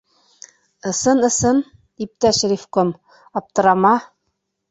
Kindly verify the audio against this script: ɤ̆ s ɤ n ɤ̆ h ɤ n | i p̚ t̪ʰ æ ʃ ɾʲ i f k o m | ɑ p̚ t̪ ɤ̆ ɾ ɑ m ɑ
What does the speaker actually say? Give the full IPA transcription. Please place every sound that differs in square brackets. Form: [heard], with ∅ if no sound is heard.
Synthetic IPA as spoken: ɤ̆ s ɤ n ɤ̆ [s] ɤ n | i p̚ [t̪] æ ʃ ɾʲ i f k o m | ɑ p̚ t̪ ɤ̆ ɾ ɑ m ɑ